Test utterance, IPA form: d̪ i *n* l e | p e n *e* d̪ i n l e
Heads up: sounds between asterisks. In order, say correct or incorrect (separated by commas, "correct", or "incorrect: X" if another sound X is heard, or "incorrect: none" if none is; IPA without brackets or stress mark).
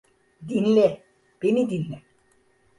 correct, incorrect: i